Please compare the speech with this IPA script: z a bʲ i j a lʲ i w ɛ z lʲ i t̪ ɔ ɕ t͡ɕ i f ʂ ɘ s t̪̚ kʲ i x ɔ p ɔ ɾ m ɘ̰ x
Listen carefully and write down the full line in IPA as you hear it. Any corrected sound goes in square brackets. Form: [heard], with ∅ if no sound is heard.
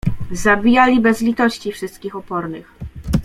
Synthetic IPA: z a bʲ i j a lʲ i [b] ɛ z lʲ i t̪ ɔ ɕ t͡ɕ i f ʂ ɘ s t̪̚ kʲ i x ɔ p ɔ ɾ [n] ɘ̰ x